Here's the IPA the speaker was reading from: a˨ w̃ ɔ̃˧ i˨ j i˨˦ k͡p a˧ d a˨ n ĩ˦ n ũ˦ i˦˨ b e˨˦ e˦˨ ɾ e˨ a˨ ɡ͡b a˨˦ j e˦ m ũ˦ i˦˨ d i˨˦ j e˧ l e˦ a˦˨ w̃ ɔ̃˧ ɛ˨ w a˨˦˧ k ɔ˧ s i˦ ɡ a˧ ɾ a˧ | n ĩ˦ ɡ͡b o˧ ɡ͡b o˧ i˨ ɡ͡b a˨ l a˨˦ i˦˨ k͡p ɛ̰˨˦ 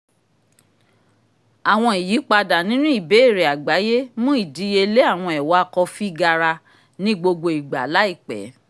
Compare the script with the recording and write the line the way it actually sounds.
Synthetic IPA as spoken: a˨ w̃ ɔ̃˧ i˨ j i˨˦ k͡p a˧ d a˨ n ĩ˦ n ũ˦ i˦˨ b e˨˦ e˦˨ ɾ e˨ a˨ ɡ͡b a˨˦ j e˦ m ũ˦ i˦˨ d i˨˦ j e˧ l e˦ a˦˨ w̃ ɔ̃˧ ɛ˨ w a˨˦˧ k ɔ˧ f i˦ ɡ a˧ ɾ a˧ | n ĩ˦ ɡ͡b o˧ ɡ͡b o˧ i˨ ɡ͡b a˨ l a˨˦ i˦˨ k͡p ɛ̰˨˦

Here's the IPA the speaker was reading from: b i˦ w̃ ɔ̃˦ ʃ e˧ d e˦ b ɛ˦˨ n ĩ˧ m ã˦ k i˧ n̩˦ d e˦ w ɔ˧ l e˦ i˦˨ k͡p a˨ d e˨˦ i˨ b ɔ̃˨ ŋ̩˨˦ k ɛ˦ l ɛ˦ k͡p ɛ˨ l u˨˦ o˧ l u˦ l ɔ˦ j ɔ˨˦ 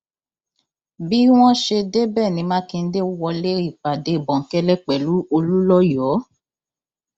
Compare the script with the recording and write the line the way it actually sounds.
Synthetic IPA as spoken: b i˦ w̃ ɔ̃˦ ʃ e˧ d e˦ b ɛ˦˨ n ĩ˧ m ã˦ k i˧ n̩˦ d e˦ w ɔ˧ l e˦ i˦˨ k͡p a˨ d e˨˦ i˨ b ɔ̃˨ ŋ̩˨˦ k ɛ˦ l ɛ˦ k͡p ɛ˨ l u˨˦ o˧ l u˦ l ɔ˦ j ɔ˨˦

